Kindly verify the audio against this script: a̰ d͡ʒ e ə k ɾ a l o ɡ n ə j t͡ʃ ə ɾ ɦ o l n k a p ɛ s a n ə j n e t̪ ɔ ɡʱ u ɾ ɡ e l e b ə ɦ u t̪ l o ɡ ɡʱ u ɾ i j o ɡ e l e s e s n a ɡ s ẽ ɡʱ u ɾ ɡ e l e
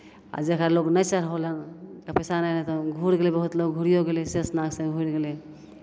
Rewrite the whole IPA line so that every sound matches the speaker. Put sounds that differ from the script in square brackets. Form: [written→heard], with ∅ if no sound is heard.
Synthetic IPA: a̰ d͡ʒ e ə k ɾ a l o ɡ n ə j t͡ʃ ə ɾ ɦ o l n k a p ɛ s a n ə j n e t̪ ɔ ɡʱ u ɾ ɡ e l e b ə ɦ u t̪ l o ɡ ɡʱ u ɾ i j o ɡ e l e s e s n a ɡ s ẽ ɡʱ u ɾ ɡ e l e